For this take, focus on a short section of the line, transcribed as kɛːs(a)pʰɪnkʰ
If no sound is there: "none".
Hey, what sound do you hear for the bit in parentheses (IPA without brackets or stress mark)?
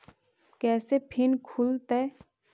e